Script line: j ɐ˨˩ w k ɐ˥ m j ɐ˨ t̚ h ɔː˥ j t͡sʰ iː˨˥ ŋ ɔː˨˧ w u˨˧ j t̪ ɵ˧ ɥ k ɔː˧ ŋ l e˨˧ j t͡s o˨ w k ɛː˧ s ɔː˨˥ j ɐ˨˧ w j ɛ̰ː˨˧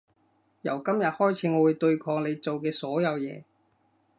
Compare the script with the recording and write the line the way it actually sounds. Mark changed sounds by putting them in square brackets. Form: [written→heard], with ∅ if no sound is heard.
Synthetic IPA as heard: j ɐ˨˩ w k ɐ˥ m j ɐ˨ t̚ h ɔː˥ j t͡sʰ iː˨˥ ŋ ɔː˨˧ w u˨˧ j t̪ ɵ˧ ɥ [k→kʰ] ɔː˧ ŋ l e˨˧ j t͡s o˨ w k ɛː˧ s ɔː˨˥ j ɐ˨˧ w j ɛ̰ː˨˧